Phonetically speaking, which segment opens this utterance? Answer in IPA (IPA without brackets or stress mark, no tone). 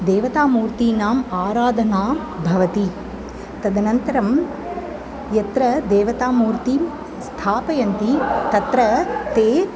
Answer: d̪